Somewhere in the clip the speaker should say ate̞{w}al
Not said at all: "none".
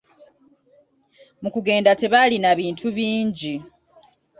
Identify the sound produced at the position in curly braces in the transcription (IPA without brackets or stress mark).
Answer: β